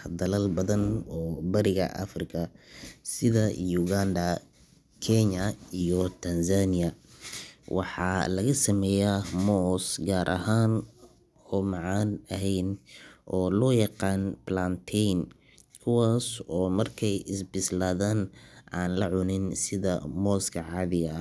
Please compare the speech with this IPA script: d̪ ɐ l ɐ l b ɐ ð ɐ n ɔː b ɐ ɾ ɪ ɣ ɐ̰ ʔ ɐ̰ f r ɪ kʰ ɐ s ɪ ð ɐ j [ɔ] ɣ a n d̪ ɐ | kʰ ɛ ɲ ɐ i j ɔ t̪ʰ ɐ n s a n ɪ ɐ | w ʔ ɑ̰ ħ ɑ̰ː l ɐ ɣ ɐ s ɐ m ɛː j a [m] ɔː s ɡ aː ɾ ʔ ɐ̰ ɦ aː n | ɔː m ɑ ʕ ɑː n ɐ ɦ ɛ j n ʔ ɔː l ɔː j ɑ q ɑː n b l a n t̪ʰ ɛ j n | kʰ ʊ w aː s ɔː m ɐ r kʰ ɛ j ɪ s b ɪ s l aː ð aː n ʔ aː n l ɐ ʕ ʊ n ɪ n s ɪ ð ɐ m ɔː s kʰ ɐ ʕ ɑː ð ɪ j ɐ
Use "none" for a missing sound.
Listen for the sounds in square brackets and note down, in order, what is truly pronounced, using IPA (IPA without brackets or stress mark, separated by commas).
u, m